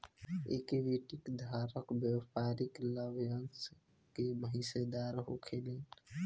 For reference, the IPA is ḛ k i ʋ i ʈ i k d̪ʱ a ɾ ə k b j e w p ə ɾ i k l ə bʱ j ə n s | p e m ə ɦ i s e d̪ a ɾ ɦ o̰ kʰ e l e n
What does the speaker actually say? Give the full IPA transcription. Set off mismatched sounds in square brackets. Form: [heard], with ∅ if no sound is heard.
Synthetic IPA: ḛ k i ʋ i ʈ i k d̪ʱ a ɾ ə k b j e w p [a] ɾ i k l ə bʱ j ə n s | [k] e m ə ɦ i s e d̪ a ɾ ɦ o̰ kʰ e l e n